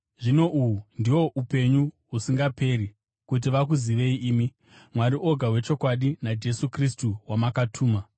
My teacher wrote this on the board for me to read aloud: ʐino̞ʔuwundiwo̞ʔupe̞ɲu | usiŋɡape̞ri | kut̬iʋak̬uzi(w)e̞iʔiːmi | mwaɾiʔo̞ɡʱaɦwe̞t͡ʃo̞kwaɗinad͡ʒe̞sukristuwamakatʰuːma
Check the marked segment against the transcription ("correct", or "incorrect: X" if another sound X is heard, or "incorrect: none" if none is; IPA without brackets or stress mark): incorrect: ʋ